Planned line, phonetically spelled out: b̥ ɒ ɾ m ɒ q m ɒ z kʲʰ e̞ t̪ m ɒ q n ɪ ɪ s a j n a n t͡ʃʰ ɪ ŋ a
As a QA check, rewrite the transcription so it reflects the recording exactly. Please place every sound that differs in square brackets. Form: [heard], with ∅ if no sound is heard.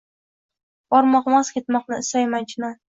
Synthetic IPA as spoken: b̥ ɒ ɾ m ɒ q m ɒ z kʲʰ e̞ t̪ m ɒ q n ɪ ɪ s a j [m] a n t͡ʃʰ ɪ [n] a